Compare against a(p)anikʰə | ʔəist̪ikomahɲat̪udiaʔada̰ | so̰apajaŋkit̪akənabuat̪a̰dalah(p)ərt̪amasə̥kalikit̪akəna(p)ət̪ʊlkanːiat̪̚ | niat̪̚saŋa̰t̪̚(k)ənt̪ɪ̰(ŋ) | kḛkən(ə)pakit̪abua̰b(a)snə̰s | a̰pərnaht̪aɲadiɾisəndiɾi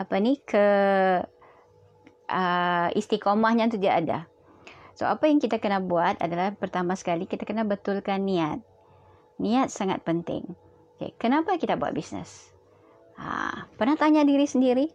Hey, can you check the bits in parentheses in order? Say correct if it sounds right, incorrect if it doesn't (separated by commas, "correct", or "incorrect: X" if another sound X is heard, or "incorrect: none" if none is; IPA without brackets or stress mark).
correct, correct, incorrect: b, incorrect: p, correct, incorrect: a, incorrect: i